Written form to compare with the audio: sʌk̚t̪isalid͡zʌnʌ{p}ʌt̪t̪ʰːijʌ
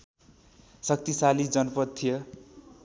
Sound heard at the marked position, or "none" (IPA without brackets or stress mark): p